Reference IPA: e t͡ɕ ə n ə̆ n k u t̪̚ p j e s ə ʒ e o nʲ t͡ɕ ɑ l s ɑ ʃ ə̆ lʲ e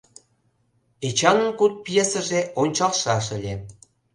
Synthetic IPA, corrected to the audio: e t͡ɕ ɑ n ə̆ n k u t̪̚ p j e s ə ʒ e o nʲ t͡ɕ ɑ l ʃ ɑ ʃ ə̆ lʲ e